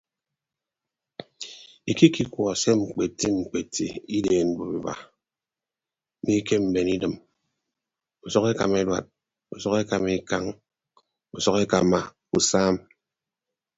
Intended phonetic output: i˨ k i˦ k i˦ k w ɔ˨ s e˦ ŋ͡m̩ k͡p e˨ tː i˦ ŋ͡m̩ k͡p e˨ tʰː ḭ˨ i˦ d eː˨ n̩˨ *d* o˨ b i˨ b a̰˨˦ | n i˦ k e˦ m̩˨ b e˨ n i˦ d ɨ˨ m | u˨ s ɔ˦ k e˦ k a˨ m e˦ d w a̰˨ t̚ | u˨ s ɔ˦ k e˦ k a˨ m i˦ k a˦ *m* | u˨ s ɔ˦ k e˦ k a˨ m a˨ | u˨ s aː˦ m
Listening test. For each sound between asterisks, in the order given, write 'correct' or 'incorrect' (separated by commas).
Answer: incorrect, incorrect